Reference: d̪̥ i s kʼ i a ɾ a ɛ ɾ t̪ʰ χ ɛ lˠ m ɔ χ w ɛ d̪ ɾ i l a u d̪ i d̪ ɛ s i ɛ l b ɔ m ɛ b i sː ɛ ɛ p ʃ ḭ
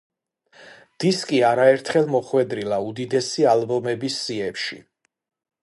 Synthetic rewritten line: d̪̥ i s kʼ i a ɾ a ɛ ɾ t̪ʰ χ ɛ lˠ m ɔ χ w ɛ d̪ ɾ i l a u d̪ i d̪ ɛ s i a l b ɔ m ɛ b i sː i ɛ p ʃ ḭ